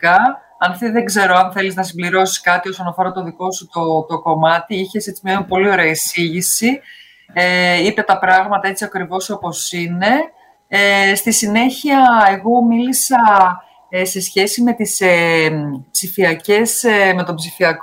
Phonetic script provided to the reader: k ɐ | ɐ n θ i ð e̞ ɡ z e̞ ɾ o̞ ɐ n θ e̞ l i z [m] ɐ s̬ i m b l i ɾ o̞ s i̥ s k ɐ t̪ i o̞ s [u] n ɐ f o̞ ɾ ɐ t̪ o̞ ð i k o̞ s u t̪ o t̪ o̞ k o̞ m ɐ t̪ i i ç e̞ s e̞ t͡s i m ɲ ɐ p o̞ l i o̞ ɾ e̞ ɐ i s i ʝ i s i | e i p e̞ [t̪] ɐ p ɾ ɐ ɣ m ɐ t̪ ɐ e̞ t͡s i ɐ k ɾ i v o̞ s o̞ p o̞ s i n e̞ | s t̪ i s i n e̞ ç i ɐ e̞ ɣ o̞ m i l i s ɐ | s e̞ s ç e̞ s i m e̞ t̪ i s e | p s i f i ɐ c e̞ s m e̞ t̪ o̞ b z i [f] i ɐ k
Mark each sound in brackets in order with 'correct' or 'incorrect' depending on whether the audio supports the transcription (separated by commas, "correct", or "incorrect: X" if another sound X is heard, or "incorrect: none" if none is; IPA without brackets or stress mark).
incorrect: n, incorrect: o, correct, correct